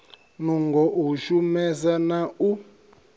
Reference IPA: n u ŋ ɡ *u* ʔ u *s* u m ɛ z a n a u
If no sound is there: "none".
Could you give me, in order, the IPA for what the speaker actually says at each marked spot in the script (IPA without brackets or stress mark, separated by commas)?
ɔ, ʃ